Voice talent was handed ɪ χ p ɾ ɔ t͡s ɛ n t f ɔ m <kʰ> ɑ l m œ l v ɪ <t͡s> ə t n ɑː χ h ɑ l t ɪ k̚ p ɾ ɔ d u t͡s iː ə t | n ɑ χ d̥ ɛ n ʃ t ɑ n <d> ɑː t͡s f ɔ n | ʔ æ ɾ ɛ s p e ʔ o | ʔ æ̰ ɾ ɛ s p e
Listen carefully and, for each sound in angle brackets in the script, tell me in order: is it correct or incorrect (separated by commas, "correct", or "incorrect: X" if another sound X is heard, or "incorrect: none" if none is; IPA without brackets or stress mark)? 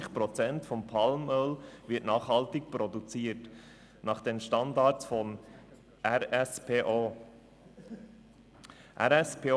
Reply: incorrect: pʰ, incorrect: none, correct